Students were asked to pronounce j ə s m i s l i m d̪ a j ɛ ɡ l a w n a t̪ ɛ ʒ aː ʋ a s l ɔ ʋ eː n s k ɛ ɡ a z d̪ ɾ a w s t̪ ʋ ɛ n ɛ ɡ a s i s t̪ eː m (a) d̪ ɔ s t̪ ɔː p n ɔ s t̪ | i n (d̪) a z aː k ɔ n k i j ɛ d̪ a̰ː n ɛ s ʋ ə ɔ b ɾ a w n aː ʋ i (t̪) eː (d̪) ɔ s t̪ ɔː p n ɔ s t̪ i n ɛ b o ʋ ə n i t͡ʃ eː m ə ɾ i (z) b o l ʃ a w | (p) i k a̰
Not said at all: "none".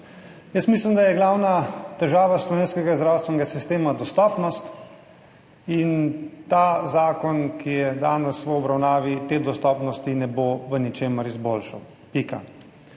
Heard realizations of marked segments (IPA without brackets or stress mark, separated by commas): a, t̪, t̪, d̪, z, p